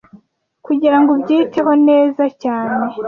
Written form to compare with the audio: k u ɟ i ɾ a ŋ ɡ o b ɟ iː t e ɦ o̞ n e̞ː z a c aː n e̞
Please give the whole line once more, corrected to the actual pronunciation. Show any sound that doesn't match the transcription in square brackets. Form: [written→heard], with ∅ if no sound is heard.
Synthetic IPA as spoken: k u ɟ i ɾ a ŋ ɡ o b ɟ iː t e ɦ o̞ n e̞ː z a c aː n e̞